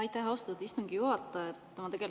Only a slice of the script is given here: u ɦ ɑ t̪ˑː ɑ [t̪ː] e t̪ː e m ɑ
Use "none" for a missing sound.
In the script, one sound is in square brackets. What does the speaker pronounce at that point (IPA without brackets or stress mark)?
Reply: none